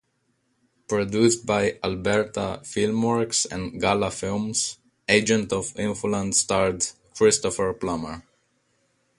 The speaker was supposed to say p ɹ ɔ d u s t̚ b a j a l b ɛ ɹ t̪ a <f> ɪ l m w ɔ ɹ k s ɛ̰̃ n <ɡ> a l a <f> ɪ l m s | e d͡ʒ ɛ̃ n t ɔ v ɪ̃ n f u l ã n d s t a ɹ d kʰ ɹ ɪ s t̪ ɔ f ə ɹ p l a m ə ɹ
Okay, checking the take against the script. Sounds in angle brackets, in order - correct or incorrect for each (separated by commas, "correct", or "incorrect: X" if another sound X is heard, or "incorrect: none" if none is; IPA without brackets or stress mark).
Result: correct, correct, correct